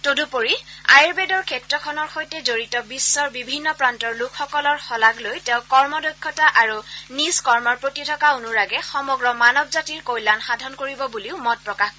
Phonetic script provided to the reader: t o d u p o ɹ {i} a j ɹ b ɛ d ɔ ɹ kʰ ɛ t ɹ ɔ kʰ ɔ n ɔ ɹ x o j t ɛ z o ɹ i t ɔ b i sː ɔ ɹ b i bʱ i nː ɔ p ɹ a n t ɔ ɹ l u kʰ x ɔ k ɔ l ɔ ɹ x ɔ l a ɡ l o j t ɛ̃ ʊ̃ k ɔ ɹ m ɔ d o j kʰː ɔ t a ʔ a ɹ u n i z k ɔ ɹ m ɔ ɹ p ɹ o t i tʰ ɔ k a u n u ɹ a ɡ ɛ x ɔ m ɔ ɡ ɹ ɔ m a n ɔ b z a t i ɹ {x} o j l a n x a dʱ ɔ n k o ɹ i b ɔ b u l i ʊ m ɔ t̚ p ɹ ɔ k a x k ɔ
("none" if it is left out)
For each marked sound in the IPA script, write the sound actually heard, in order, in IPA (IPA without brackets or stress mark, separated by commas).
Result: i, k